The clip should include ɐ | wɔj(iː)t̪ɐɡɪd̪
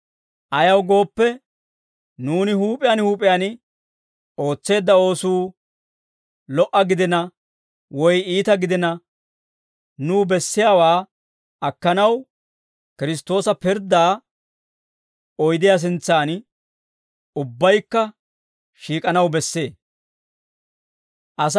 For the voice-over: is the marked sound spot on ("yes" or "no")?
yes